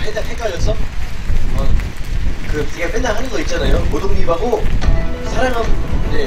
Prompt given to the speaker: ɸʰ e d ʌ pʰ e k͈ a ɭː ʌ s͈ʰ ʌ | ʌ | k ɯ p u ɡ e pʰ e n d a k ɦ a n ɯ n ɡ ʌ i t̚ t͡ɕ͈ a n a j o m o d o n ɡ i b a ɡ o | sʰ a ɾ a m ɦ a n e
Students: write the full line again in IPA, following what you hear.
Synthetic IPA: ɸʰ e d a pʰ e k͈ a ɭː ʌ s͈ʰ ʌ | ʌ | k ɯ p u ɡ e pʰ e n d a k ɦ a n ɯ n ɡ ʌ i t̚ t͡ɕ͈ a n a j o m o d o ŋ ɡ i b a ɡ o | sʰ a ɾ a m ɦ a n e